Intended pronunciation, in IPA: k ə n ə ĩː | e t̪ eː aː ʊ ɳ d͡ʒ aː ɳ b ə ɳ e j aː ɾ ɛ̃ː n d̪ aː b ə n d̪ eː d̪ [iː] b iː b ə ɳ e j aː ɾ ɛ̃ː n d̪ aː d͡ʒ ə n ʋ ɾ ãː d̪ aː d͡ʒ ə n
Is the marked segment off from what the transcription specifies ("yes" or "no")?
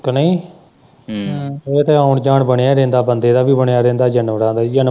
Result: yes